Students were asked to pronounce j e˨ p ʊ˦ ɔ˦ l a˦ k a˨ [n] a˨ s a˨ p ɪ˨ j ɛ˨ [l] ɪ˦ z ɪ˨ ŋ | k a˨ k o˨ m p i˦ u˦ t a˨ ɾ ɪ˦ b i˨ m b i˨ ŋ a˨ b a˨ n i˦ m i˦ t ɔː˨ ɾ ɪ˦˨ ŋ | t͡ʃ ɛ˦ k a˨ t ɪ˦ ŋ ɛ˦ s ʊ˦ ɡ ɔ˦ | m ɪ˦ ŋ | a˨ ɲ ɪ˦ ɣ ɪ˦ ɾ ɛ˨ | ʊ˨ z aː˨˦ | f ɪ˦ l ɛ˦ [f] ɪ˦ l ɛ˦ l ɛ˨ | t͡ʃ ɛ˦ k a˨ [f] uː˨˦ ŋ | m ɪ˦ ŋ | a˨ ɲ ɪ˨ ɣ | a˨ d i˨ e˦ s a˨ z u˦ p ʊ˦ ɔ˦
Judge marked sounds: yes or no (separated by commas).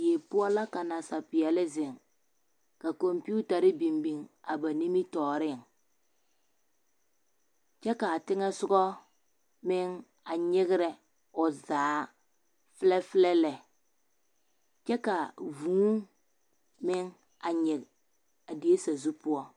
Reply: yes, yes, yes, no